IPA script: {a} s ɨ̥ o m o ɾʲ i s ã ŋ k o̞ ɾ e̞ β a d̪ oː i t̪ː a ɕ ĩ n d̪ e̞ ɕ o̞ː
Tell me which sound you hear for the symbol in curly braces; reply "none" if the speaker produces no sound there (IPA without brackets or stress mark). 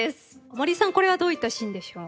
e